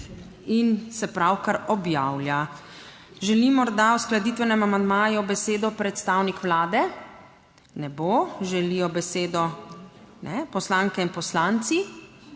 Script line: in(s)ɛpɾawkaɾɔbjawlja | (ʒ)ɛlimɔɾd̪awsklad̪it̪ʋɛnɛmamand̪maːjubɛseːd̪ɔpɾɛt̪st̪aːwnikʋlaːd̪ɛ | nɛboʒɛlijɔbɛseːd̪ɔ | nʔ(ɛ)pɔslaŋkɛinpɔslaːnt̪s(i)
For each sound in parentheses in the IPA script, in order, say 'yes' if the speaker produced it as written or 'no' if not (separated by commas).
yes, yes, yes, yes